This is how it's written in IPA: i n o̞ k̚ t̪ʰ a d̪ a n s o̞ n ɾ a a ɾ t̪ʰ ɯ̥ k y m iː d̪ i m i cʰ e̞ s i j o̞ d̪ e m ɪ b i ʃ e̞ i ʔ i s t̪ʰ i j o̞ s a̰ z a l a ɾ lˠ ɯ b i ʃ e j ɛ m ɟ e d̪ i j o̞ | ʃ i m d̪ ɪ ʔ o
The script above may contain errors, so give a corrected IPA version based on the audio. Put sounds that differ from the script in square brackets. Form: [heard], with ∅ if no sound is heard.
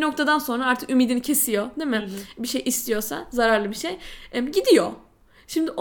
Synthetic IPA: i n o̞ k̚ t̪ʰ a d̪ a n s o̞ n ɾ a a ɾ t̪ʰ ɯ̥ k y m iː d̪ i [n] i cʰ e̞ s i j o̞ d̪ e m ɪ b i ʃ e̞ [j] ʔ i s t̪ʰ i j o̞ s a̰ z a [ɾ] a ɾ lˠ ɯ b i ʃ e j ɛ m ɟ [i] d̪ i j o̞ | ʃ i m d̪ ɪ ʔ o